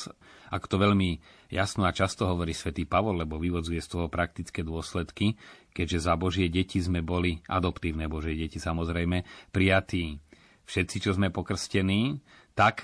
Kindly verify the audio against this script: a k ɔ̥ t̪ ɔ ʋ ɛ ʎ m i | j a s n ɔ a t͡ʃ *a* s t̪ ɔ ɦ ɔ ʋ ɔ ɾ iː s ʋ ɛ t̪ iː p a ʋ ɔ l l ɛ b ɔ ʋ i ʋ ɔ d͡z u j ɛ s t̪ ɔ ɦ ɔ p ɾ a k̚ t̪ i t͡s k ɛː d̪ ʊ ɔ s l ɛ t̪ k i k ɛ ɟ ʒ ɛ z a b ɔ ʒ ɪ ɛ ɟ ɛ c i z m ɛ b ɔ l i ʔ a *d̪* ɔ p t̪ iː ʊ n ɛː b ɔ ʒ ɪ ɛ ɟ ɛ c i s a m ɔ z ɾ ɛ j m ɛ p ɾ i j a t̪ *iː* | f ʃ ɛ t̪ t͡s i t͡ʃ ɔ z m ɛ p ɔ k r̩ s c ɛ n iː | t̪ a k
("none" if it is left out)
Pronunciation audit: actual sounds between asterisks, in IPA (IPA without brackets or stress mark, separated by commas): a, d̪, iː